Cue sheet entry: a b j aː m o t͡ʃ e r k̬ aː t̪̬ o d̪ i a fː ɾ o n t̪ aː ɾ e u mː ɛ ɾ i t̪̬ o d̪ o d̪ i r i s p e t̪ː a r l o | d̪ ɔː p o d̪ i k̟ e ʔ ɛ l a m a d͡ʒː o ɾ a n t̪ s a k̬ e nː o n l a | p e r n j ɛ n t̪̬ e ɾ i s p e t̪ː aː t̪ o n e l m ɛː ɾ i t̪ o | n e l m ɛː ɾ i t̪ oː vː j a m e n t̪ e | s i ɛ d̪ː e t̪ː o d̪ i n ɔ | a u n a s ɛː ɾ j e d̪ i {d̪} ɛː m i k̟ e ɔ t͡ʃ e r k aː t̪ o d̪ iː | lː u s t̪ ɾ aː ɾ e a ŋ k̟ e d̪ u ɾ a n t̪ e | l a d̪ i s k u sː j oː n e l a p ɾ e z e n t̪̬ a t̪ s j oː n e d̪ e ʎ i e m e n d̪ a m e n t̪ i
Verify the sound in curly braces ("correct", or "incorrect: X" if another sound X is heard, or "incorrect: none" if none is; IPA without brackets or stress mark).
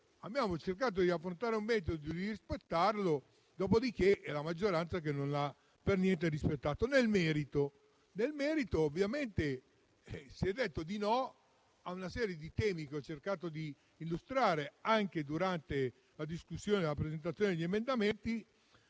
incorrect: t̪